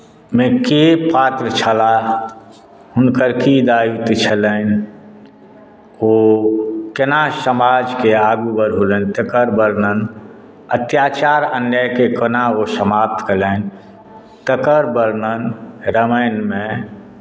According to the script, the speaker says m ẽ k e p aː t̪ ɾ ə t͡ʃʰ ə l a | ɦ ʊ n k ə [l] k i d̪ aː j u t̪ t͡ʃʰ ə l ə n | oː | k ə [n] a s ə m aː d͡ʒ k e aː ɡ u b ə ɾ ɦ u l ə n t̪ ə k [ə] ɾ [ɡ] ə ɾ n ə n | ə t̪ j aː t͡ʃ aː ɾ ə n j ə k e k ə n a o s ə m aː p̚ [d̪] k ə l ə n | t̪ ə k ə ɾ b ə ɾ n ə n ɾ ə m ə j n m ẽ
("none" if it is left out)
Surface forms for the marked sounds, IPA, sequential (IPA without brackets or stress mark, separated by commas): ɾ, n, ə, b, t̪